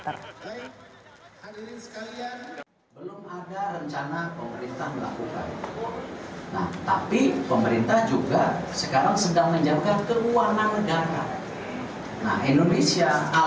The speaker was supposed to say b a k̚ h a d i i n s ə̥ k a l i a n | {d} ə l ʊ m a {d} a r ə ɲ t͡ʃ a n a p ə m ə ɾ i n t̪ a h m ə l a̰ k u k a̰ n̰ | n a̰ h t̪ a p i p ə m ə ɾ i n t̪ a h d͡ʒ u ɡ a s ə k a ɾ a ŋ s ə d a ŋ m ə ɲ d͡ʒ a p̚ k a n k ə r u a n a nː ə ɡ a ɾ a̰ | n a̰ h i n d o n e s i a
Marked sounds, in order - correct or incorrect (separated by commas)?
incorrect, correct